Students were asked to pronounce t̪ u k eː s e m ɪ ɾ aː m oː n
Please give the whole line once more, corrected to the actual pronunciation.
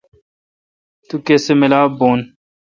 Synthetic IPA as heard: t̪ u k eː s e m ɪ l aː b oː n